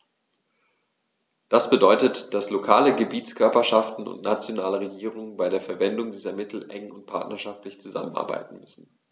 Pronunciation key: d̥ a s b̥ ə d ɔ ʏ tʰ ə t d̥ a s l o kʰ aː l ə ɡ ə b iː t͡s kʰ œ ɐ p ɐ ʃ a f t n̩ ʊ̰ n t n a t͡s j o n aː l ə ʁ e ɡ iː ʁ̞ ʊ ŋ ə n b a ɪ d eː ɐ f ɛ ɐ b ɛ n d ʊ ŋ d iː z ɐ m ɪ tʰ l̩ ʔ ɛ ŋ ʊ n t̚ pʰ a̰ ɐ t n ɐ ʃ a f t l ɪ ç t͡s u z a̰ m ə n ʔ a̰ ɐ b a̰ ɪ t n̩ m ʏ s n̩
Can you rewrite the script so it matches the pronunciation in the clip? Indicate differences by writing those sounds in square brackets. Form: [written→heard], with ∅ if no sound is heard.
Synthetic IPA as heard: d̥ a s b̥ ə d ɔ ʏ [tʰ→t] ə t d̥ a s l o kʰ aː l ə ɡ ə b iː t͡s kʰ œ ɐ p ɐ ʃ a f t n̩ ʊ̰ n t n a t͡s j o n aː l ə ʁ e ɡ iː ʁ̞ ʊ ŋ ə n b a ɪ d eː ɐ f ɛ ɐ [b→v] ɛ n d ʊ ŋ d iː z ɐ m ɪ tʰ l̩ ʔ ɛ ŋ ʊ n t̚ pʰ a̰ ɐ t n ɐ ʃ a f t l ɪ ç t͡s u z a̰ m ə n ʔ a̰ ɐ b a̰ ɪ t n̩ m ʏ s n̩